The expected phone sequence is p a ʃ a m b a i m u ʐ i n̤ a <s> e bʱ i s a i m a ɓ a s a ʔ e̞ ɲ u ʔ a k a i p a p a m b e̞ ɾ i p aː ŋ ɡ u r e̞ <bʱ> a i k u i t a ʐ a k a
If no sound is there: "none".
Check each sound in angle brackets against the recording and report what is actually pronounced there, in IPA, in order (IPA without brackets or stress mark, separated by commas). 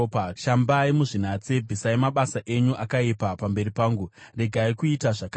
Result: t͡s, ɡʱ